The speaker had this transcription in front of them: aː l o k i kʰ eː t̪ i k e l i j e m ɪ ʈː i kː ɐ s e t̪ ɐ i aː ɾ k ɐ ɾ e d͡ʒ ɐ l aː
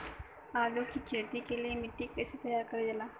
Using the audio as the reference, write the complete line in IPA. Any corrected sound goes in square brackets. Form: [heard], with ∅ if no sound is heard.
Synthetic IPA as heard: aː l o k i kʰ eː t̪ i k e l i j e m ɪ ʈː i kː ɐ s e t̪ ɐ [j] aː ɾ k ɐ ɾ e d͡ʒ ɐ l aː